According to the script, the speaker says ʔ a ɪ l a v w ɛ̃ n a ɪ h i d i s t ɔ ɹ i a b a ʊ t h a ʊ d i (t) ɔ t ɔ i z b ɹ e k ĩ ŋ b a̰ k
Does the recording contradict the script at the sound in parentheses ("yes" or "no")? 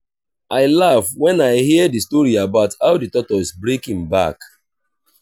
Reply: no